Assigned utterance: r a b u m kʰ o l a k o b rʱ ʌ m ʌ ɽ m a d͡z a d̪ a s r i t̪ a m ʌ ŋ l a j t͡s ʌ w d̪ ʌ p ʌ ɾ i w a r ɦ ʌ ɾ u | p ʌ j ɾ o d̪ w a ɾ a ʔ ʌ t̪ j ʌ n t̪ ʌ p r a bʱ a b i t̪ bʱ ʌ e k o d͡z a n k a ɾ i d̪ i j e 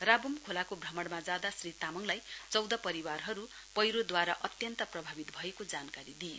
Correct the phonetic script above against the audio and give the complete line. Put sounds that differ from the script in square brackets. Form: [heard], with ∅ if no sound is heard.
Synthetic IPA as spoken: r a b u m kʰ o l a k o b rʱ ʌ m ʌ ɽ m a d͡z a d̪ a s r i t̪ a m ʌ ŋ l a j t͡s ʌ w d̪ ʌ p ʌ ɾ i w a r ɦ ʌ ɾ u | p ʌ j ɾ o d̪ w a ɾ a ʔ ʌ t̪ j ʌ n t̪ ʌ p r [ʌ] bʱ a b i t̪ bʱ ʌ e k o d͡z a n k a ɾ i d̪ i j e